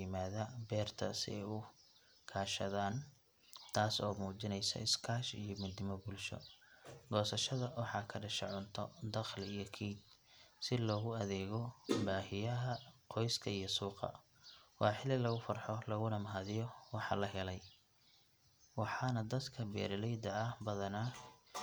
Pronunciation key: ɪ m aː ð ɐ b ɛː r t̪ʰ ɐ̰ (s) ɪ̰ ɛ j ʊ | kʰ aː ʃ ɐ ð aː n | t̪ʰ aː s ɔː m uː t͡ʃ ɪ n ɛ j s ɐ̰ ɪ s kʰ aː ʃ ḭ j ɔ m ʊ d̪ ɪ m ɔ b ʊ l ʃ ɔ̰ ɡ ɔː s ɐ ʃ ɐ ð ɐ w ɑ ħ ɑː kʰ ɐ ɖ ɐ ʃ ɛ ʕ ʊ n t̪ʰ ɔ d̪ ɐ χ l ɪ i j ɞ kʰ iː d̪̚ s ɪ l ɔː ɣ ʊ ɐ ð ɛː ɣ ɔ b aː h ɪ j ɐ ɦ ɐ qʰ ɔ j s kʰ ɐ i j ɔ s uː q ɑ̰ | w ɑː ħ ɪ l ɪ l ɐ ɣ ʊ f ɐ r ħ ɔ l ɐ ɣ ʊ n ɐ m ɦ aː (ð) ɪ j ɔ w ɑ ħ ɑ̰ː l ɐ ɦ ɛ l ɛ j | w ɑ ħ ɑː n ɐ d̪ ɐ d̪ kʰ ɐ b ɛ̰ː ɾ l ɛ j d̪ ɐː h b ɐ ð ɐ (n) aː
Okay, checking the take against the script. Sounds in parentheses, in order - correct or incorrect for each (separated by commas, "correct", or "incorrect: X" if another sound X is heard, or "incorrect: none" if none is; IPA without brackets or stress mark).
correct, correct, correct